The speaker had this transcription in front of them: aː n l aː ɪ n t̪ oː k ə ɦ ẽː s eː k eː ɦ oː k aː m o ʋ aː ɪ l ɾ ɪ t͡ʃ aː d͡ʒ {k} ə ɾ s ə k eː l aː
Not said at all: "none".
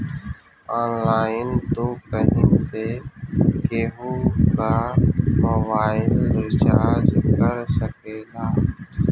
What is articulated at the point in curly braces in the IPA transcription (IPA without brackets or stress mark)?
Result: k